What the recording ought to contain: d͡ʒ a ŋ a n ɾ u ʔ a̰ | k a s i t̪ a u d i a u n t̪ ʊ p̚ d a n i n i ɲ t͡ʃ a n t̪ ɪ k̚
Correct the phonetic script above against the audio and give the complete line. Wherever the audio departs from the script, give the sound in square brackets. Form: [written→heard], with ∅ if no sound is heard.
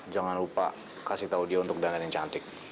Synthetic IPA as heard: d͡ʒ a ŋ a n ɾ u [ʔ→p] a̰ | k a s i t̪ a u d i a u n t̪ ʊ [p̚→k̚] d a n [i→a] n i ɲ t͡ʃ a n t̪ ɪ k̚